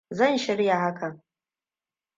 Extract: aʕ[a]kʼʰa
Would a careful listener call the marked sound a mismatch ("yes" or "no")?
no